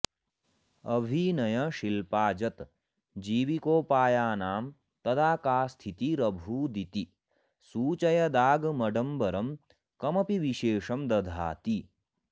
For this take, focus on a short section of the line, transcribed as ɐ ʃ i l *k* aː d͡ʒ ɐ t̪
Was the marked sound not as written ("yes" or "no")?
yes